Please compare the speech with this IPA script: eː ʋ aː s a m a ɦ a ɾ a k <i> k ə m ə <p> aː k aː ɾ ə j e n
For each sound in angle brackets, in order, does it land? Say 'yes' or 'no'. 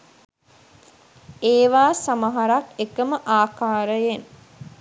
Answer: no, no

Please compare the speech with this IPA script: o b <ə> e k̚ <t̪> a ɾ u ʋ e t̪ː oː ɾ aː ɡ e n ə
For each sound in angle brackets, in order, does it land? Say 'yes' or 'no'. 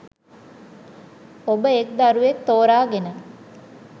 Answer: yes, no

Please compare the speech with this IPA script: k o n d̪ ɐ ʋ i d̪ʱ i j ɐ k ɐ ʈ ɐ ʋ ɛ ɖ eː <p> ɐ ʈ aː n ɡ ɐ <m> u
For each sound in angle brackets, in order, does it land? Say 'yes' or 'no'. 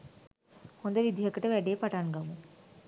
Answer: yes, yes

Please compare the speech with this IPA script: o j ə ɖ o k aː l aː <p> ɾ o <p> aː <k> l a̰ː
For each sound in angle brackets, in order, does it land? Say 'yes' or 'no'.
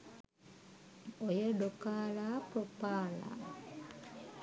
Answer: yes, yes, no

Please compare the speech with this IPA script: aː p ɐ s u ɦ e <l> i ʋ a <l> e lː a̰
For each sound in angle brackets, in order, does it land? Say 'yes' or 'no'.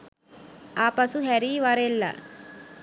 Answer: no, no

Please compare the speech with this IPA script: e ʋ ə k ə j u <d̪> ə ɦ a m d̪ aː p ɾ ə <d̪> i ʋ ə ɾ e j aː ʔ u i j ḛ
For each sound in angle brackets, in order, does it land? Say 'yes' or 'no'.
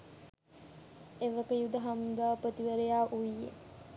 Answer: yes, no

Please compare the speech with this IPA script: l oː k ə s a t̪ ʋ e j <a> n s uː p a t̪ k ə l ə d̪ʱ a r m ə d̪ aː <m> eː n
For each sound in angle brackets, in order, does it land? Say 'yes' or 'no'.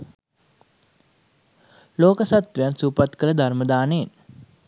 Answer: yes, no

